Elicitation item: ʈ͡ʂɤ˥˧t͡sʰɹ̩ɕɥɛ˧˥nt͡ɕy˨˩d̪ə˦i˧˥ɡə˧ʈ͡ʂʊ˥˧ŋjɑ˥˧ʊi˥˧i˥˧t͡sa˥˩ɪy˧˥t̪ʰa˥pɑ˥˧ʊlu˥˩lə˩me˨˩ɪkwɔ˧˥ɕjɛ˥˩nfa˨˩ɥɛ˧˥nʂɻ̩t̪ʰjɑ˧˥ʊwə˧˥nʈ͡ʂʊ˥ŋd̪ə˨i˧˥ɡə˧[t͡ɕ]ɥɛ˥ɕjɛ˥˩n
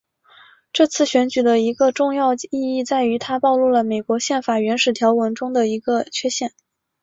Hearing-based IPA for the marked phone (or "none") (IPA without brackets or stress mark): t͡ɕʰ